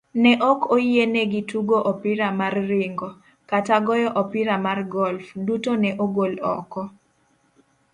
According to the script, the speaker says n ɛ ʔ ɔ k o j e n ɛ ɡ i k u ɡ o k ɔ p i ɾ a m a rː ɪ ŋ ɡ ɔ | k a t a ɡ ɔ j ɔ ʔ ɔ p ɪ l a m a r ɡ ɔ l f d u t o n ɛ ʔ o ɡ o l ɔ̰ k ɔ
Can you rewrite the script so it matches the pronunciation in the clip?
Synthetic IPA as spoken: n ɛ ʔ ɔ k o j e n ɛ ɡ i t u ɡ o ʔ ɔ p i ɾ a m a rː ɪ ŋ ɡ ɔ | k a t a ɡ ɔ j ɔ ʔ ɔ p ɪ ɾ a m a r ɡ ɔ l f d u t o n ɛ ʔ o ɡ o l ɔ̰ k ɔ